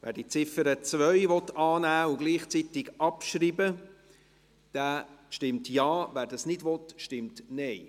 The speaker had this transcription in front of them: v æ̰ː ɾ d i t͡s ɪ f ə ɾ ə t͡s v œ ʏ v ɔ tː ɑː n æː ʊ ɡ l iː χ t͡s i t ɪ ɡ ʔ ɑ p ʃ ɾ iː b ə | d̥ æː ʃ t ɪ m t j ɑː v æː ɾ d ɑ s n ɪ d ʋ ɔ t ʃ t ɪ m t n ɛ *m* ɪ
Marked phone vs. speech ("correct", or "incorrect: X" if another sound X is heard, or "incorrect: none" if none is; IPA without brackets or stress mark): incorrect: none